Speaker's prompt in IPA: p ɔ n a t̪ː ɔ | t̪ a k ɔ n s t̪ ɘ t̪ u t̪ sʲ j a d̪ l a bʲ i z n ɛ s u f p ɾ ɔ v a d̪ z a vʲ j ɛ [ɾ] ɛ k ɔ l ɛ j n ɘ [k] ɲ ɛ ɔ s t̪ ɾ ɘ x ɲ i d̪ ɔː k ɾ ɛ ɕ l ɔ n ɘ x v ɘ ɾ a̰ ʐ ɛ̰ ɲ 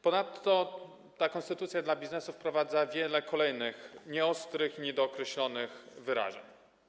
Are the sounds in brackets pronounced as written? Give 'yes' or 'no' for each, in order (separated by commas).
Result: no, no